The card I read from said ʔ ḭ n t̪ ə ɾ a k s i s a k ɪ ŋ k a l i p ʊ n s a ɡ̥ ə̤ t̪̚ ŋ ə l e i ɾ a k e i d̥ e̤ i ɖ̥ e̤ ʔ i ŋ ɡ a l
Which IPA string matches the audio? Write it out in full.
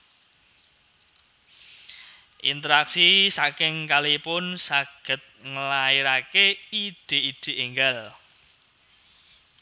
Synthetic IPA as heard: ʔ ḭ n t̪ ə ɾ a k s i s a k ɪ ŋ k a l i p ʊ n s a ɡ̥ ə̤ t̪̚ ŋ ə l a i ɾ a k e i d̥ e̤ i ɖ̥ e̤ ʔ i ŋ ɡ a l